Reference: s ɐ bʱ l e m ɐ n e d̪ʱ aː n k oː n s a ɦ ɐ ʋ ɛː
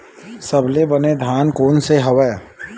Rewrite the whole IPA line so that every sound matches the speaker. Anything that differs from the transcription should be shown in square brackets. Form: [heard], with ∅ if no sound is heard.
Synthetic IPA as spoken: s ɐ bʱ l e [b] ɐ n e d̪ʱ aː n k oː n s [e] ɦ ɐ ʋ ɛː